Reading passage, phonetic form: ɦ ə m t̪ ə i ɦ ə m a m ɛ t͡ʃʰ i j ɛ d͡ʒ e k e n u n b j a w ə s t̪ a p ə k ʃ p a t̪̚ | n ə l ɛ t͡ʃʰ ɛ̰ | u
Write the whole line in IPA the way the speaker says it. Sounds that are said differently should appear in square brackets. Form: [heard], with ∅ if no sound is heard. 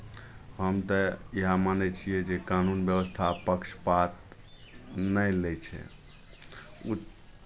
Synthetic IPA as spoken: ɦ ə m t̪ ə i ɦ [a] m a [n] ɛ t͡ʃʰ i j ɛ d͡ʒ e k [a] n u n b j [ə] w ə s [t̪ʰ] a p ə k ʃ p a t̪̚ | n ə l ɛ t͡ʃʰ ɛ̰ | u

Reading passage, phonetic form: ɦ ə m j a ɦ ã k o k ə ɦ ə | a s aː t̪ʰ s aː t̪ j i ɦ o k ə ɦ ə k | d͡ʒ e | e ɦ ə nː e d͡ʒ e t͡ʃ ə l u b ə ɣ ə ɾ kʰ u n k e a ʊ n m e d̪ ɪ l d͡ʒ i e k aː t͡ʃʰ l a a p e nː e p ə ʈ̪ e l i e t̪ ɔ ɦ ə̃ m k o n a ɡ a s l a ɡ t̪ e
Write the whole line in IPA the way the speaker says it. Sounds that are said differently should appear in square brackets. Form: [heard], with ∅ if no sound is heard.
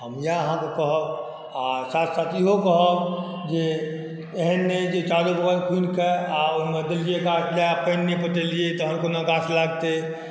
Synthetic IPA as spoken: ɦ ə m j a ɦ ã k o k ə ɦ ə | a s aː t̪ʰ s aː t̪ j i ɦ o k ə ɦ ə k | d͡ʒ e | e ɦ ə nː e d͡ʒ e t͡ʃ [a] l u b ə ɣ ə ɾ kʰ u n k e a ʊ n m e d̪ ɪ l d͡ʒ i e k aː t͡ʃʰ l a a p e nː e p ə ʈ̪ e l i e t̪ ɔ ɦ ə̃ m k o n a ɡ a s l a ɡ t̪ e

